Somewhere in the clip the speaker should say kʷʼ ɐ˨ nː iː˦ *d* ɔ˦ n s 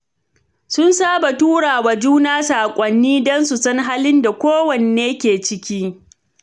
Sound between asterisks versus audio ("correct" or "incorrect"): correct